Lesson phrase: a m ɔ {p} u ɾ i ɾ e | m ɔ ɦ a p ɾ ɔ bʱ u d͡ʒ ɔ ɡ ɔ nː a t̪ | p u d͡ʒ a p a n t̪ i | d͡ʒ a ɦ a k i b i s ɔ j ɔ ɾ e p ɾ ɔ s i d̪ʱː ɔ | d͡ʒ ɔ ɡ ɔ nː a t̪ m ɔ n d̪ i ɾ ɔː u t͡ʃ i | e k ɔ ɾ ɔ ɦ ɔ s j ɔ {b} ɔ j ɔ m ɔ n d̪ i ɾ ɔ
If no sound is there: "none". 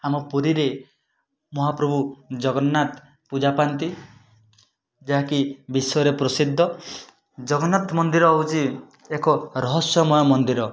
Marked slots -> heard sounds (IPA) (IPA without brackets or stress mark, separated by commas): p, m